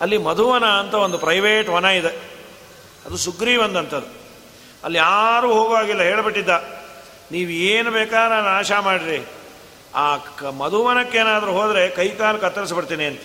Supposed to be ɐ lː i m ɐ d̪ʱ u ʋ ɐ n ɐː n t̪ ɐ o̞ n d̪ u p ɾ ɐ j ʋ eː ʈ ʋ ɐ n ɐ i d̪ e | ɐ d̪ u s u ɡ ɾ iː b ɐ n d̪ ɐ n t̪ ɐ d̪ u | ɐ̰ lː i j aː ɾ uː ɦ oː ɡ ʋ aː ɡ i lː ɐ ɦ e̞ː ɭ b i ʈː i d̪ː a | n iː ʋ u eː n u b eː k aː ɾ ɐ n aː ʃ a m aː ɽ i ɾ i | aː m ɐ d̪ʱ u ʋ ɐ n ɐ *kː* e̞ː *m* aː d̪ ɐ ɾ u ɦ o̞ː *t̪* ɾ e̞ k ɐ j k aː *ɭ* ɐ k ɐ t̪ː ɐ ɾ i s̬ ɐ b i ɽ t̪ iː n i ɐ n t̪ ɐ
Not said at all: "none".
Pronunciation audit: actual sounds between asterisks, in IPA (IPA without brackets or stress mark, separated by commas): kː, n, d̪, l